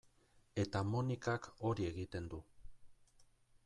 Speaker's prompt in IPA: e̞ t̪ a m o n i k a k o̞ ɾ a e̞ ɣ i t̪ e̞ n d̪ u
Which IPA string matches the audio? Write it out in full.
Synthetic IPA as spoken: e̞ t̪ a m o n i k a k o̞ ɾ i e̞ ɣ i t̪ e̞ n d̪ u